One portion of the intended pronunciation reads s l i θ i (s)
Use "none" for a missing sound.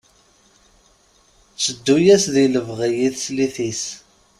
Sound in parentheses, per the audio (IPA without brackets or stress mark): s